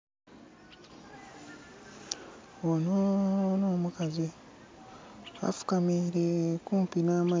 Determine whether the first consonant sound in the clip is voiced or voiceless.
voiced